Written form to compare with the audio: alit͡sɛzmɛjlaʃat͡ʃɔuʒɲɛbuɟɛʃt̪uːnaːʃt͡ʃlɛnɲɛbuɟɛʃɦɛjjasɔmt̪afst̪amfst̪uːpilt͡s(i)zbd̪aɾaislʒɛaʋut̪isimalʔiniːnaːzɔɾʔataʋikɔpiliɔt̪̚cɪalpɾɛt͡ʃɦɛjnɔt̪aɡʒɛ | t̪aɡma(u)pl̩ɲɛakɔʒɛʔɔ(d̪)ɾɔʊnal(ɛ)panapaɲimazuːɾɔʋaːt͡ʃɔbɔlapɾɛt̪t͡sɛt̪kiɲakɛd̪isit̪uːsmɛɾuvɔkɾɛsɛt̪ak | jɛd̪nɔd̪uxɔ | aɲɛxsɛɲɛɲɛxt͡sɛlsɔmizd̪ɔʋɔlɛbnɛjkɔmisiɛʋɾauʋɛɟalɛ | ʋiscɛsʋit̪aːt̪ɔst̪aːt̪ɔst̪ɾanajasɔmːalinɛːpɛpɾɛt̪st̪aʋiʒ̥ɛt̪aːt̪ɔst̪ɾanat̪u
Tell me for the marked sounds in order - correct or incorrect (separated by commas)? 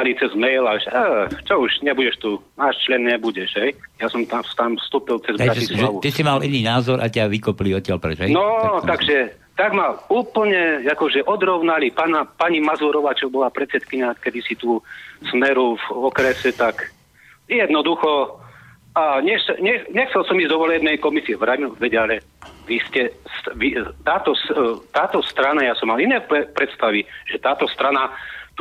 incorrect, incorrect, correct, incorrect